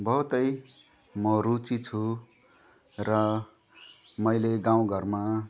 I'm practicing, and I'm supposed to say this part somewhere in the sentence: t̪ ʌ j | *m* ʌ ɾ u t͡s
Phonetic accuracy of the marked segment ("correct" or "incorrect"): correct